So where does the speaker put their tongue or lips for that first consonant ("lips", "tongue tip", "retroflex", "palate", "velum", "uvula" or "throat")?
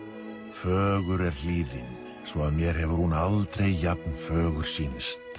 lips